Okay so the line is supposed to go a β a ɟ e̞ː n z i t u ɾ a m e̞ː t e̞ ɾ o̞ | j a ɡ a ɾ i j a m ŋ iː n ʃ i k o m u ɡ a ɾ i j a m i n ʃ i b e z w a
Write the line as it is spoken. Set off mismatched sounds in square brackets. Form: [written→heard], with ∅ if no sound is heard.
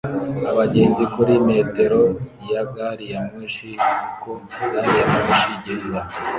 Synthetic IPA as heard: a β a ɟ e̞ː n z i [t→k] u ɾ [a→i] m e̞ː t e̞ ɾ o̞ | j a ɡ a ɾ i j a m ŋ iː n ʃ i k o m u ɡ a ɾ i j a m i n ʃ i [b→ɟ] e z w a